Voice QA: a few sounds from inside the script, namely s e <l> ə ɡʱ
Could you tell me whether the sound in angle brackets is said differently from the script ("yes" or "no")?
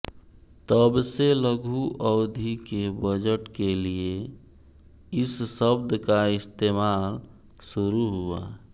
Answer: no